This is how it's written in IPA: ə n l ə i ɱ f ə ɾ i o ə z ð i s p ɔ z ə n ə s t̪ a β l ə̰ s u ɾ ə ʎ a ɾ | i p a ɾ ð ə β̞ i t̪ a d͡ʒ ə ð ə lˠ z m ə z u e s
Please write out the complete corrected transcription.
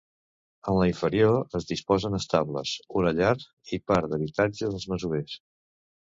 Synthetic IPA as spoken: ə n l ə i ɱ f ə ɾ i o ə z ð i s p ɔ z ə n ə s t̪ a β l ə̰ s u ɾ ə ʎ a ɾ | i p a ɾ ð ə β̞ i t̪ a d͡ʒ ə ð ə lˠ z m ə z u e s

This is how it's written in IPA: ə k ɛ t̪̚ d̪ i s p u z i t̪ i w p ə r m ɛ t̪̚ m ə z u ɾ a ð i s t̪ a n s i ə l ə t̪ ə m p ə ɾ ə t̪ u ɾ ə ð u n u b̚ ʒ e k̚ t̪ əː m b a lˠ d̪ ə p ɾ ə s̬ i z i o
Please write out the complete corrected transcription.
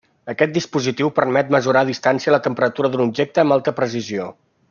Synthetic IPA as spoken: ə k ɛ t̪̚ d̪ i s p u z i t̪ i w p ə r m ɛ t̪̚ m ə z u ɾ a ð i s t̪ a n s i ə l ə t̪ ə m p ə ɾ ə t̪ u ɾ ə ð u n u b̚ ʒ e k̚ t̪ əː m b a lˠ t̪ ə p ɾ ə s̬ i z i o

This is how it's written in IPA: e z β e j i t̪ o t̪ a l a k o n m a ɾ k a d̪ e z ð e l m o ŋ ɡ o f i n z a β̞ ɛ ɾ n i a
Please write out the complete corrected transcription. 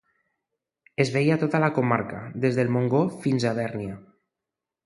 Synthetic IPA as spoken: e z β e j a t̪ o t̪ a l a k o m a ɾ k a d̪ e z ð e l m o ŋ ɡ o f i n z a β̞ ɛ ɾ n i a

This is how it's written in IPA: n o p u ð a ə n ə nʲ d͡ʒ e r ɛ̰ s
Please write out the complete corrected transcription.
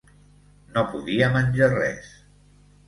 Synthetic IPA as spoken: n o p u ð i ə m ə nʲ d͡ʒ a r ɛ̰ s

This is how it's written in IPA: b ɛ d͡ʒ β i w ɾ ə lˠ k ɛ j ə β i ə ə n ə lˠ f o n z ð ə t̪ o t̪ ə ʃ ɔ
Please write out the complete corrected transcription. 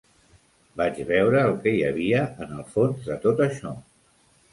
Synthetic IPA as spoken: b a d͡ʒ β ɛ w ɾ əː lˠ k ɛ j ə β i ə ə n ə lˠ f o n z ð ə t̪ o t̪ ə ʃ ɔ

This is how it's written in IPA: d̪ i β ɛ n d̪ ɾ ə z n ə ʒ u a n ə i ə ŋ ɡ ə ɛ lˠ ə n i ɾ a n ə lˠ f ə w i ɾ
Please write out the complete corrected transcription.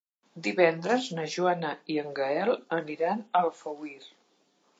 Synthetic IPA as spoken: d̪ i β ɛ n d̪ ɾ ə z n ə ʒ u a n ə i ə ŋ ɡ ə ɛ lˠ ə n i ɾ a n ə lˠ f ə w i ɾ

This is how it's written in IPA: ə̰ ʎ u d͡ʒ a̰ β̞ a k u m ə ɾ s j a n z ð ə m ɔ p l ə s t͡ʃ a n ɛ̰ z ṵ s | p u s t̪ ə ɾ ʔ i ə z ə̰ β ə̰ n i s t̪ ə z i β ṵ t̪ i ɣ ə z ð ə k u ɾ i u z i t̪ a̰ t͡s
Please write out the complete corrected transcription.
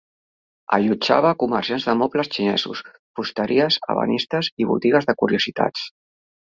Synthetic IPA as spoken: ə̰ ʎ u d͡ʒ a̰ β̞ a k u m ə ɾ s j a n z ð ə m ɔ p l ə s t͡ʃ i n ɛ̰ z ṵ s | p u s t̪ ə ɾ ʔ i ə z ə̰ β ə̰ n i s t̪ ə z i β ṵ t̪ i ɣ ə z ð ə k u ɾ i u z i t̪ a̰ t͡s

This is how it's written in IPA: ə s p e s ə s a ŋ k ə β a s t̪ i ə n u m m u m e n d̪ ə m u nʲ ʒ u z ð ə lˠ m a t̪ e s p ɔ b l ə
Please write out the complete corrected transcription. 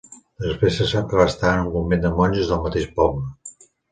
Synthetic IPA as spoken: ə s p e s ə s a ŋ k ə β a s t̪ a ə n u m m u m e n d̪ ə m ɔ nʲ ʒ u z ð ə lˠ m ə t̪ e ʃ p ɔ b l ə

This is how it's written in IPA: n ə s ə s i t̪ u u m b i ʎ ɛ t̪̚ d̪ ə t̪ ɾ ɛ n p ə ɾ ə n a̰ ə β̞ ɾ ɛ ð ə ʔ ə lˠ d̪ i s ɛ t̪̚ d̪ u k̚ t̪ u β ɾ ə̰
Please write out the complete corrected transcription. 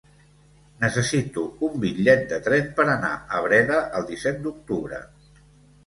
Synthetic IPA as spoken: n ə s ə s i t̪ u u m b i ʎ ɛ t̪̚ d̪ ə t̪ ɾ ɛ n p ə ɾ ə n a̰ ə β̞ ɾ ɛ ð ə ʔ ə lˠ d̪ i s ɛ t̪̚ d̪ u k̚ t̪ u β ɾ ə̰

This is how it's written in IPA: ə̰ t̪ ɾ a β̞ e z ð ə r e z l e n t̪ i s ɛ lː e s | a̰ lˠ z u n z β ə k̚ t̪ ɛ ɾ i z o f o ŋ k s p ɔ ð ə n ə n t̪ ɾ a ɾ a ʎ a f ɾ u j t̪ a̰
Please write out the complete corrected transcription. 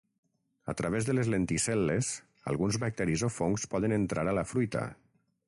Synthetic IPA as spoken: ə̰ t̪ ɾ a β̞ e z ð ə l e z l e n t̪ i s ɛ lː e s | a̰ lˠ ɣ u n z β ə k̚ t̪ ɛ ɾ i z o f o ŋ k s p ɔ ð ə n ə n t̪ ɾ a ɾ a l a f ɾ u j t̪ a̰

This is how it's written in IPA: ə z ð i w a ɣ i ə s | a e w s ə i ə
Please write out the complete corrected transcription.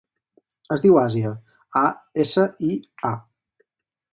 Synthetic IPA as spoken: ə z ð i w a z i ə | a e s ə i a

